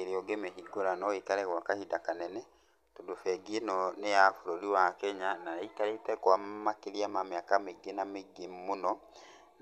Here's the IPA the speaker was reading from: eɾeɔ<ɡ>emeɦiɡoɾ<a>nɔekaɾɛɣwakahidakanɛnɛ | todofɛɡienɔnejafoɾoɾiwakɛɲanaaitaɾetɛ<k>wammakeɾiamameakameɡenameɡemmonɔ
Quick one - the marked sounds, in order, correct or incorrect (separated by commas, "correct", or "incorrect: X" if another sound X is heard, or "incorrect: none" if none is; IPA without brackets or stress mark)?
correct, correct, correct